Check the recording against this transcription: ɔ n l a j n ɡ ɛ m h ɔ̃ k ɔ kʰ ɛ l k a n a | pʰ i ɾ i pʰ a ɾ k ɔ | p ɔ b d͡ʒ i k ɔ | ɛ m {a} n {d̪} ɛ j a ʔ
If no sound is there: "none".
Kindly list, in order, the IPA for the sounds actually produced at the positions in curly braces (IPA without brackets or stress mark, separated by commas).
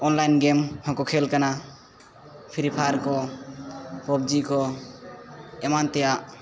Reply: a, t̪